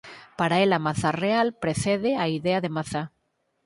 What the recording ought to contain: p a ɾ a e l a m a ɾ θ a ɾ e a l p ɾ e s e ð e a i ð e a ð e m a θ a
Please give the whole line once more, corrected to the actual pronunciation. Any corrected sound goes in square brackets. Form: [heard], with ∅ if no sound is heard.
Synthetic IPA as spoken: p a ɾ a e l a m a [∅] θ a [r] e a l p ɾ e [θ] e ð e a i ð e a ð e m a θ a